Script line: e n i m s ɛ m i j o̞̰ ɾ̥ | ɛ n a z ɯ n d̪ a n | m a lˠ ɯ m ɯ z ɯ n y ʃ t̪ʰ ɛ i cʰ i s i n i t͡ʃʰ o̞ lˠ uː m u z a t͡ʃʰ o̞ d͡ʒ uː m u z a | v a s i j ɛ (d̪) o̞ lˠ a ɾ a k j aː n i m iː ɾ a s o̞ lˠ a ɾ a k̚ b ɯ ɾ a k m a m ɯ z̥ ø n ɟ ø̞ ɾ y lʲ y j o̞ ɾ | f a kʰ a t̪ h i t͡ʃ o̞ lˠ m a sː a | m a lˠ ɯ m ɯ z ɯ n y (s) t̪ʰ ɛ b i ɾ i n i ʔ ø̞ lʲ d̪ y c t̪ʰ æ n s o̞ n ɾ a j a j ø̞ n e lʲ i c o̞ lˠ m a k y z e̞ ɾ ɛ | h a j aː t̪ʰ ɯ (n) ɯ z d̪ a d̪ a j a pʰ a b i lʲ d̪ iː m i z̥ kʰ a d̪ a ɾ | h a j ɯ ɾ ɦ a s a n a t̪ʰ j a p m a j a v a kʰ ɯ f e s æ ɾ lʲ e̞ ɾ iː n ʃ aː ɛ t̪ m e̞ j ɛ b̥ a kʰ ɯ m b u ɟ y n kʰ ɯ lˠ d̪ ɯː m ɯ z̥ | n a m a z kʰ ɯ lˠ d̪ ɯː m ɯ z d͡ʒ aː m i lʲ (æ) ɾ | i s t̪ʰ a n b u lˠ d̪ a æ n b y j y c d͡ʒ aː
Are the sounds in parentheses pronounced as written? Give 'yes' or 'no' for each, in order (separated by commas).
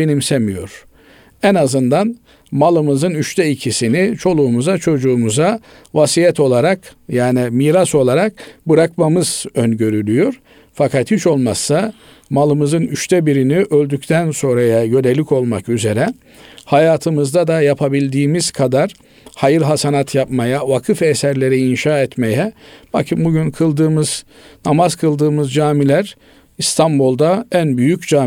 no, no, no, yes